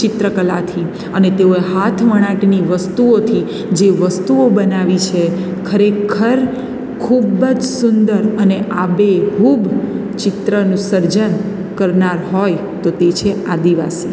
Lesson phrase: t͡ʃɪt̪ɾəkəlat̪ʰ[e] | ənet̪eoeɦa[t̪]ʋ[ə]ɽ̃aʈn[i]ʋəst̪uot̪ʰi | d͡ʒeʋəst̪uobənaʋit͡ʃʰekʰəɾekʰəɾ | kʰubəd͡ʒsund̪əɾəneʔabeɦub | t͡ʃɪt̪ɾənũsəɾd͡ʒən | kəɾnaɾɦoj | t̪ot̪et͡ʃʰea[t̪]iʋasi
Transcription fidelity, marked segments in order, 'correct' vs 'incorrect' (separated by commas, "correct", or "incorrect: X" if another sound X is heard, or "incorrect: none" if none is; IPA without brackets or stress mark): incorrect: i, incorrect: t̪ʰ, correct, correct, incorrect: d̪